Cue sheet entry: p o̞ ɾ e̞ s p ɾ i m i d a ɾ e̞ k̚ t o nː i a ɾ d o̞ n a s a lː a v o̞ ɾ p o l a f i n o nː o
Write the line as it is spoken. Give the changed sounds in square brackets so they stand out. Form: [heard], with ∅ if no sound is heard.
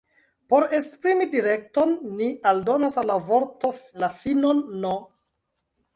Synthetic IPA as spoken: p o̞ ɾ e̞ s p ɾ i m i d [i] ɾ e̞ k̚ t o nː i a [l] d o̞ n a s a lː a v o̞ ɾ [t] o l a f i n o nː o